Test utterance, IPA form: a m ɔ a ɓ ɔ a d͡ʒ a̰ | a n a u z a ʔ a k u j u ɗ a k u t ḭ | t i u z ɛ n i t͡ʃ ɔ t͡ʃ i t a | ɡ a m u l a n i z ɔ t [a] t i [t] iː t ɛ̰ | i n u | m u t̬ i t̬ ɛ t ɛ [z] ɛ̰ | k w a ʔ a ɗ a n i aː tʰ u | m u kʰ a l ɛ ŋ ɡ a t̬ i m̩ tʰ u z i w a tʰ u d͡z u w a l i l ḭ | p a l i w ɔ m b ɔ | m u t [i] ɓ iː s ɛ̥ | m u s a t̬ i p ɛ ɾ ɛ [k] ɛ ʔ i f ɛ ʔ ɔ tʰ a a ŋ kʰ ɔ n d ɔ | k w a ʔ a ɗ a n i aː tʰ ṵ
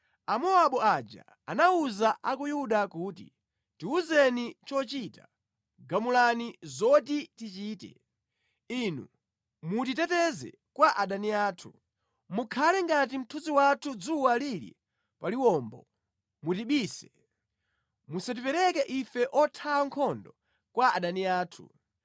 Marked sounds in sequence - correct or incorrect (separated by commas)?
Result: incorrect, incorrect, correct, correct, correct